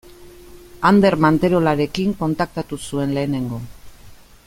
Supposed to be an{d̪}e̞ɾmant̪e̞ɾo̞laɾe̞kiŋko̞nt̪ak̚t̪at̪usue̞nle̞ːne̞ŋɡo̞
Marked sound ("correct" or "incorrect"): correct